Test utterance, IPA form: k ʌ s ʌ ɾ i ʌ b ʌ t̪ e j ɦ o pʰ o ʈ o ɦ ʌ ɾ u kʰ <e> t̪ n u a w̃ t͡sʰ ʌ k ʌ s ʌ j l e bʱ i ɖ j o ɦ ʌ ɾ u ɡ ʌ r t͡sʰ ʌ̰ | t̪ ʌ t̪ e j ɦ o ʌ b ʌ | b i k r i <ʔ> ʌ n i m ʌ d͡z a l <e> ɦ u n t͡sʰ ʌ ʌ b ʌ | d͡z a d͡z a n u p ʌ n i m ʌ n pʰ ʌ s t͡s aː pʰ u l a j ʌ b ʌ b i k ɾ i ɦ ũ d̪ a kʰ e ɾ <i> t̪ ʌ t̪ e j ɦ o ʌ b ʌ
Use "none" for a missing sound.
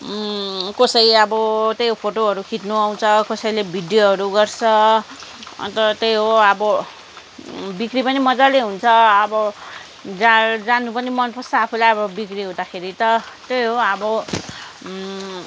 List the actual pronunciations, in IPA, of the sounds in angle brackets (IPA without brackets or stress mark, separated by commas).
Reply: i, p, e, i